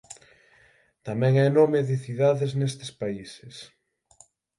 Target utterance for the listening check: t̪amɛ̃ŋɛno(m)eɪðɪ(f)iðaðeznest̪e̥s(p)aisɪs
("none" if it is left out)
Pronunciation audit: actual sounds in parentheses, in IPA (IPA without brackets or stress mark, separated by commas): m, θ, p